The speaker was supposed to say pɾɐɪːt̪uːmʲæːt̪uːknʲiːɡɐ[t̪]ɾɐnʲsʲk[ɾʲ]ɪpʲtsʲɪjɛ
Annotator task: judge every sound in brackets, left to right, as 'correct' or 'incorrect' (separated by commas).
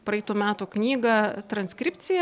correct, correct